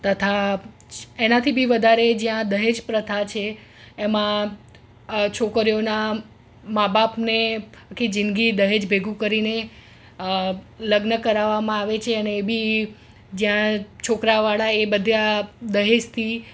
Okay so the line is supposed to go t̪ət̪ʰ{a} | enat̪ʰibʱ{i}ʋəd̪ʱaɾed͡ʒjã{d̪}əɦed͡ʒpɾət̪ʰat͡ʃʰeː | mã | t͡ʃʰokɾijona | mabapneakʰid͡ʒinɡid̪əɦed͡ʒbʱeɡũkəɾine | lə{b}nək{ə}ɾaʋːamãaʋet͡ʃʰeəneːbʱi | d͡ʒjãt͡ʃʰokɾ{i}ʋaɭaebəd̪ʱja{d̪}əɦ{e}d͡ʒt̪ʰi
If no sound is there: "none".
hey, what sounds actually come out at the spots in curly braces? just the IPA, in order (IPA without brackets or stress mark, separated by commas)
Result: a, i, d̪, ɡ, ə, a, d̪, e